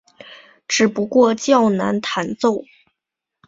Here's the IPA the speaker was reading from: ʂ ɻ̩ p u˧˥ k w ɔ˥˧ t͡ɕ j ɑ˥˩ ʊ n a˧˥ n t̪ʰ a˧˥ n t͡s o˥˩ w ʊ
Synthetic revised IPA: ʈ͡ʂ ɻ̩ p u˧˥ k w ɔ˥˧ t͡ɕ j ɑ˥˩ ʊ n a˧˥ n t̪ʰ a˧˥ n t͡s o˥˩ ʊ